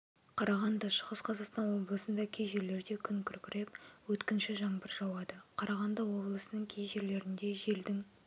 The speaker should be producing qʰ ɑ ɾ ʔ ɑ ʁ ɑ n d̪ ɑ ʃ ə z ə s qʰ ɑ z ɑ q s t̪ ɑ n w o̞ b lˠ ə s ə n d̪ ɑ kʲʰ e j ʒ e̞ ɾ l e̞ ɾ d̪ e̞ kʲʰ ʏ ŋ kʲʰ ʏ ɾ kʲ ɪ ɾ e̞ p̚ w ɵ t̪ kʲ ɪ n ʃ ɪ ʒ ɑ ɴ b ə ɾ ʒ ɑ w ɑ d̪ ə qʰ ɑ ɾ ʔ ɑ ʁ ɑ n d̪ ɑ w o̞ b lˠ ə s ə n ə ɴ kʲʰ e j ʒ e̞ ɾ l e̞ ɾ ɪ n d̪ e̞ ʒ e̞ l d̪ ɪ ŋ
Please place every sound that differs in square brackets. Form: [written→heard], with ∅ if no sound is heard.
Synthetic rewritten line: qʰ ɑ ɾ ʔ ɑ ʁ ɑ n d̪ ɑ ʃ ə [z→ʁ] ə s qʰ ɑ z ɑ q s t̪ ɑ n w o̞ b lˠ ə s ə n d̪ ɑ kʲʰ e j ʒ e̞ ɾ l e̞ ɾ d̪ e̞ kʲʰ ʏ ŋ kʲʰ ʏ ɾ kʲ ɪ ɾ e̞ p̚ w ɵ t̪ kʲ ɪ n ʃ ɪ ʒ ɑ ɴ b ə ɾ ʒ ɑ w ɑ d̪ ə qʰ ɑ ɾ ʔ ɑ ʁ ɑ n d̪ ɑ w o̞ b lˠ ə s ə n ə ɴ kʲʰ e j ʒ e̞ ɾ l e̞ ɾ ɪ n d̪ e̞ ʒ e̞ l d̪ ɪ ŋ